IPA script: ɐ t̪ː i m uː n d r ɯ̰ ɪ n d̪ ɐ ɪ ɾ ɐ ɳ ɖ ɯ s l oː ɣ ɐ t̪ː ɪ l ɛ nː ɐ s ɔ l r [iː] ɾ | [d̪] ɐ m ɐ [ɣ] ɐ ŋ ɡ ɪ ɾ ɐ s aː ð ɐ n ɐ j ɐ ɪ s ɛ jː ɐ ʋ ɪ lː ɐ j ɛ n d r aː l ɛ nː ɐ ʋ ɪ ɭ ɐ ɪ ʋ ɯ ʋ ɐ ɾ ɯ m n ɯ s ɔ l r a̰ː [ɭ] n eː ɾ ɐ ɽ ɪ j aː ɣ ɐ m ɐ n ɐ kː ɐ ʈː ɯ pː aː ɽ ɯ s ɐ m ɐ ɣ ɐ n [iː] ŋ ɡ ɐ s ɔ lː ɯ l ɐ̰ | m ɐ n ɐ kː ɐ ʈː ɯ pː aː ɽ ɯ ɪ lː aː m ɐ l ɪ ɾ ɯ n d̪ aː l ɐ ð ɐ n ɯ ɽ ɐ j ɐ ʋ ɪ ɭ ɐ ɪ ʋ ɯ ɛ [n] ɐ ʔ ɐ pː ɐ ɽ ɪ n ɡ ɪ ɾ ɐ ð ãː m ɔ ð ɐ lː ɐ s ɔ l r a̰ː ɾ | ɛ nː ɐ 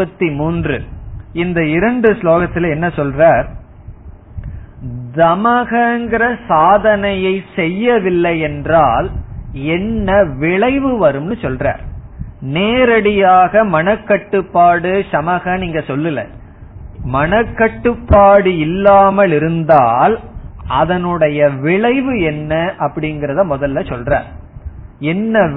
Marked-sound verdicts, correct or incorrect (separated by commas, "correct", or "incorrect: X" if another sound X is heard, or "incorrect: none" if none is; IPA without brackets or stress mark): incorrect: aː, correct, correct, incorrect: ɾ, correct, incorrect: nː